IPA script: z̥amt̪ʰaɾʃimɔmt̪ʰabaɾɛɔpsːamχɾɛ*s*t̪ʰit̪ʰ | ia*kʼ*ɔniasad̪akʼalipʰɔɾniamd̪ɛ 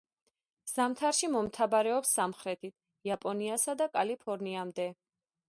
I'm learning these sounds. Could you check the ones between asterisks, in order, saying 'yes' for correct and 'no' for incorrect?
no, no

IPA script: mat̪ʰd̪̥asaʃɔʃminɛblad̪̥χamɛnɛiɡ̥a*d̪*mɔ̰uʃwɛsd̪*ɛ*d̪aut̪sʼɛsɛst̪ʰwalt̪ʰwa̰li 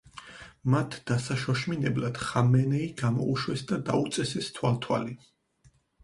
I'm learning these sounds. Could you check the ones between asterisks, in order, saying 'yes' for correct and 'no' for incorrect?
no, no

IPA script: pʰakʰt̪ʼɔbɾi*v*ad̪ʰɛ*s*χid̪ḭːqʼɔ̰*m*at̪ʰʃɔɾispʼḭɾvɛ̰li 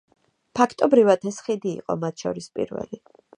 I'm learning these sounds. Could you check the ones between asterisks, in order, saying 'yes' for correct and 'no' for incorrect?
yes, yes, yes

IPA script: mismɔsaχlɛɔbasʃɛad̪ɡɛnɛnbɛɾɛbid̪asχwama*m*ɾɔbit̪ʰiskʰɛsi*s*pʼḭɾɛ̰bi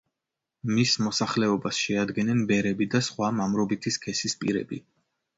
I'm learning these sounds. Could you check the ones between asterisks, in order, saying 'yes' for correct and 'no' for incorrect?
yes, yes

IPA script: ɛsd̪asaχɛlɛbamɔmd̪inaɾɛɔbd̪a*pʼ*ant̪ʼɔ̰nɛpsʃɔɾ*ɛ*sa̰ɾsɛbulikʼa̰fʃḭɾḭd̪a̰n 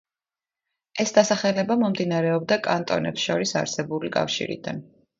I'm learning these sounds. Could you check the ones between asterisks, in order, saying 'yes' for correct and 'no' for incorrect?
no, no

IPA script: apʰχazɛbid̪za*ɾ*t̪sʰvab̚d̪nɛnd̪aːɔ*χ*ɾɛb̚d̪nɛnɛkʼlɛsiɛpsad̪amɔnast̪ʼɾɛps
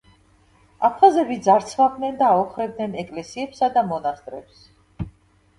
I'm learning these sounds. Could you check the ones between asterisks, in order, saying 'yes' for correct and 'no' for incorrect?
yes, yes

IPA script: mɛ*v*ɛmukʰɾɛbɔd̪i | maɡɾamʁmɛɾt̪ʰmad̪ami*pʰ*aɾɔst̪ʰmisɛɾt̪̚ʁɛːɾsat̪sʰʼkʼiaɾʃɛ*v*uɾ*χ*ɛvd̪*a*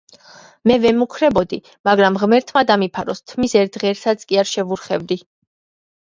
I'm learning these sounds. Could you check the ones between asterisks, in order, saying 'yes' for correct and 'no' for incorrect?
yes, yes, yes, yes, no

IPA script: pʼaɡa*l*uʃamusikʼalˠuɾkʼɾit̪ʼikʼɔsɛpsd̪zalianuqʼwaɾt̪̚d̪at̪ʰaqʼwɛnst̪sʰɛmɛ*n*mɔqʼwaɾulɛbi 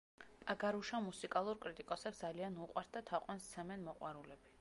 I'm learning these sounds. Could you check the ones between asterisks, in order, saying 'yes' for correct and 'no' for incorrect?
no, yes

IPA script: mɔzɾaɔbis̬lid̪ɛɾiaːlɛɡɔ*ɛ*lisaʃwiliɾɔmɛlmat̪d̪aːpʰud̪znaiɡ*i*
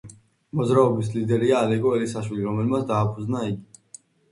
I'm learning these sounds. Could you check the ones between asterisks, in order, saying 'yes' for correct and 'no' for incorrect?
yes, yes

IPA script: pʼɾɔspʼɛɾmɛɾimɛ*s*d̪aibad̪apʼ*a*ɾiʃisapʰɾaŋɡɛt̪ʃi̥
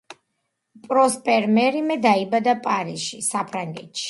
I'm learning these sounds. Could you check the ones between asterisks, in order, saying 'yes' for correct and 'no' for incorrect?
no, yes

